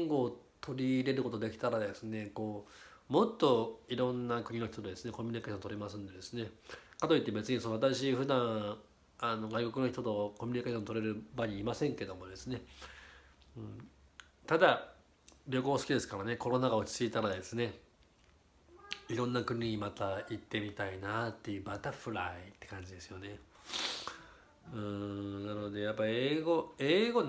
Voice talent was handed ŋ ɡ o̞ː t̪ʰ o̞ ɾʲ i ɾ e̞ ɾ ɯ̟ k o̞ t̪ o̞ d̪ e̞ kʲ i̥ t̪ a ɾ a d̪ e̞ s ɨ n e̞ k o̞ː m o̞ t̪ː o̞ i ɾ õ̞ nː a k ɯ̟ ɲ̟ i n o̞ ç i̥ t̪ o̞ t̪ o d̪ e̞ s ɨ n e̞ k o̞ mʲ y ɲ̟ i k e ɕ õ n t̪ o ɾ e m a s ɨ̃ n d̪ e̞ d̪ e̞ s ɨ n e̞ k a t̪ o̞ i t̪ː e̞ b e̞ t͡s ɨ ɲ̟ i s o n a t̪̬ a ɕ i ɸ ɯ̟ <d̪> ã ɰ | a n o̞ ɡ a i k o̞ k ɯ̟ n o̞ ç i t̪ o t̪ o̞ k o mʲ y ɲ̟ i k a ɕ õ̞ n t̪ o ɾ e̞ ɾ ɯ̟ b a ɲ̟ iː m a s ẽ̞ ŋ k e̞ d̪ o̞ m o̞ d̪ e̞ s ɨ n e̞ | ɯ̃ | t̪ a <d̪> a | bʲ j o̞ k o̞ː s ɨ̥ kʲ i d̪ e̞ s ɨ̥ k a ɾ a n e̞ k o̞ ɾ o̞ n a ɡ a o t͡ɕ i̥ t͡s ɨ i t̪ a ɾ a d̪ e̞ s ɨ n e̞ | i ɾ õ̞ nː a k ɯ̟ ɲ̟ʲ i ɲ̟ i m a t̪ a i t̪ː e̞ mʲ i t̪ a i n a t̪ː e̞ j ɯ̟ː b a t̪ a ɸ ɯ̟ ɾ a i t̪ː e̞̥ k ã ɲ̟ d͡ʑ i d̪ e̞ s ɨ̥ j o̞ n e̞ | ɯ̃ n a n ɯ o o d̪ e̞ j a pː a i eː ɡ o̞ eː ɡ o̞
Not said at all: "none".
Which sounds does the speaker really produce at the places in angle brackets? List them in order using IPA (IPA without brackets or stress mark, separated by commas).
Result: d̪, d̪